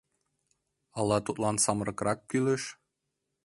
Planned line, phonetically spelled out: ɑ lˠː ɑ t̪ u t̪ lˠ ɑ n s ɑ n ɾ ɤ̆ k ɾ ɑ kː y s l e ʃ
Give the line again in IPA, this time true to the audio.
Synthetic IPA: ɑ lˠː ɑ t̪ u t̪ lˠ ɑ n s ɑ m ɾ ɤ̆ k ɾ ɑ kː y l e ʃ